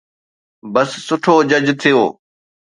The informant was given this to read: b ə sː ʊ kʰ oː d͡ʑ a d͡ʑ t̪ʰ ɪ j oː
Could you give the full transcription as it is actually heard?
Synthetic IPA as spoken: b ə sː ʊ ʈʰ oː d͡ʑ ə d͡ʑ t̪ʰ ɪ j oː